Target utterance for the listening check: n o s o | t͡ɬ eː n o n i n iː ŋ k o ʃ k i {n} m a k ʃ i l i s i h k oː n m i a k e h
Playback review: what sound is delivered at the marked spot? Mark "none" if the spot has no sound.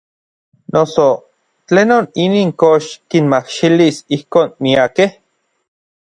n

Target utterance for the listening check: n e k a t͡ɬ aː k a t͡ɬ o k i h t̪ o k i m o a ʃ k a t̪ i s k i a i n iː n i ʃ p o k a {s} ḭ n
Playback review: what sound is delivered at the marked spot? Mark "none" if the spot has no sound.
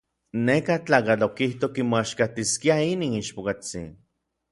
t͡s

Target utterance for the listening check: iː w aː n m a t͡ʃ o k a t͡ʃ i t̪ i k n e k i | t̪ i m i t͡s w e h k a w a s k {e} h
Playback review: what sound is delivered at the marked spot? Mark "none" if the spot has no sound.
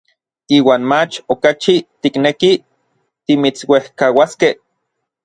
e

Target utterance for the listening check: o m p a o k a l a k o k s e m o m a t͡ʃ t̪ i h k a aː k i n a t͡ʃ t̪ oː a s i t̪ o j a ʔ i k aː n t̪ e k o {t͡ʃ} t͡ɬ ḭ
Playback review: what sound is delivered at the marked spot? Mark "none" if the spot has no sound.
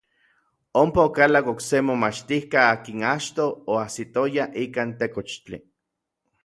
t͡ʃ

